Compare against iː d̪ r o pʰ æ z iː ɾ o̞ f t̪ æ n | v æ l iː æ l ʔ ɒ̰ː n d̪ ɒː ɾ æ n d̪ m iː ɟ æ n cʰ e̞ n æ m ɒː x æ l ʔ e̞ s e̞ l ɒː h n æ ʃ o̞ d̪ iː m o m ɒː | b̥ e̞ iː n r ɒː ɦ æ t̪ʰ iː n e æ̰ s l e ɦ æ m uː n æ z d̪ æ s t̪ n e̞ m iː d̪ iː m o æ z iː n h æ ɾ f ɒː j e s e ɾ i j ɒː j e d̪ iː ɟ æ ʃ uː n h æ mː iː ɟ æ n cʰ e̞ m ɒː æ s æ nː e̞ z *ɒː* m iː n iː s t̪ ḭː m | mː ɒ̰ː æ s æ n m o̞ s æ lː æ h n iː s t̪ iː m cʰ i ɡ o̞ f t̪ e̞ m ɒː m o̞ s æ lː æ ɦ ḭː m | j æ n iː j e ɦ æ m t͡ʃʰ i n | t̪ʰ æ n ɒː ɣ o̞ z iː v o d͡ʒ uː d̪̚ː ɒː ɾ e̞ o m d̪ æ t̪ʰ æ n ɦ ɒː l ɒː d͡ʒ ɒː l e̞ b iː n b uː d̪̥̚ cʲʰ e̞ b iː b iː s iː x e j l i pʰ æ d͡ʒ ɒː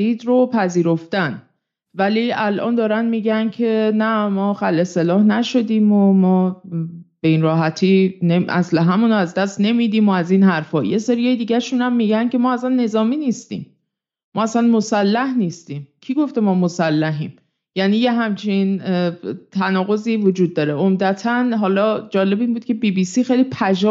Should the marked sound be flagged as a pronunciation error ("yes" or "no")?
no